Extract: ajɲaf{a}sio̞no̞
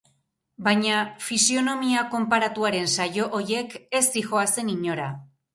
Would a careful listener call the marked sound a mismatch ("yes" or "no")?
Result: yes